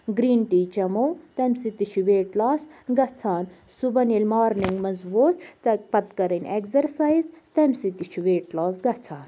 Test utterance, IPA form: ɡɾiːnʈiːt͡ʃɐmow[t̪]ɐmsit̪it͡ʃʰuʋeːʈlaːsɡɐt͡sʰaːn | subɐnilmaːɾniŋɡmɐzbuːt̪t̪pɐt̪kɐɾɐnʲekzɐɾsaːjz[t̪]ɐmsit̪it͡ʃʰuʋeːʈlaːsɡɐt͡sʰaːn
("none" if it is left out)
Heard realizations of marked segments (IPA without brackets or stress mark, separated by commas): t̪, t̪